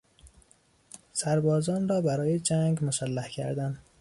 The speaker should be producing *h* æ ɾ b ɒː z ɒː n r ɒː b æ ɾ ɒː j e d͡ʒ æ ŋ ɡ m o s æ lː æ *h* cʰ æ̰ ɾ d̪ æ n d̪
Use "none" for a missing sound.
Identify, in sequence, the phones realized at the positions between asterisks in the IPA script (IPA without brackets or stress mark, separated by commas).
s, h